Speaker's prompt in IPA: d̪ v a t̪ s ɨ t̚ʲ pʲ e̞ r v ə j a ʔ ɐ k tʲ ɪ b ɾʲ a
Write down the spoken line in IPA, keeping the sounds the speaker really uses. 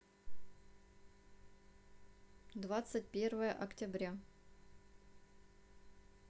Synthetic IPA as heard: d̪ v a t̪ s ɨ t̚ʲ pʲ e̞ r v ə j ə ʔ ɐ k tʲ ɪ b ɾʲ a